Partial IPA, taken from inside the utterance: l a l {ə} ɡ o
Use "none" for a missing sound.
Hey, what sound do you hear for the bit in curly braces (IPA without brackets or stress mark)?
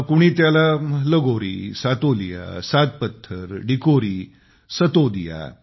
ə